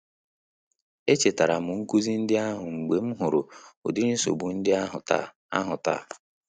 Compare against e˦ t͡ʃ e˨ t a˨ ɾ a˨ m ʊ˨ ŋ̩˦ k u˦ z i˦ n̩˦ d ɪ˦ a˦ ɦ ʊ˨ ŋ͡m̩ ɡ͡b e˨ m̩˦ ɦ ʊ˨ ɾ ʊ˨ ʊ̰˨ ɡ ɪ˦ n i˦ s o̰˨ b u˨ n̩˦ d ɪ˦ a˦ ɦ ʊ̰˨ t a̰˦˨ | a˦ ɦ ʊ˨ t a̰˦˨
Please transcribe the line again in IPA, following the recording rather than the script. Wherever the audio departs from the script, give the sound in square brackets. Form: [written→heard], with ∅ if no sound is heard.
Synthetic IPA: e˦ t͡ʃ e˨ t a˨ ɾ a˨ m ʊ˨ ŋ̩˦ k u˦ z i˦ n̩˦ d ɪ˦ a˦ ɦ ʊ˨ ŋ͡m̩ ɡ͡b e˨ m̩˦ ɦ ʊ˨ ɾ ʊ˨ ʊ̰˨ [ɡ→d] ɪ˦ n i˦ s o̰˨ b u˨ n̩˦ d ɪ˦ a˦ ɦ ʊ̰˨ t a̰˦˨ | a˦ ɦ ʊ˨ t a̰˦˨